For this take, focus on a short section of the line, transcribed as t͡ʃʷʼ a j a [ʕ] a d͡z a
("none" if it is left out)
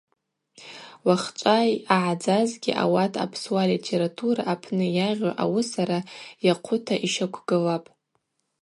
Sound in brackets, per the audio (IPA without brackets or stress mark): ʕ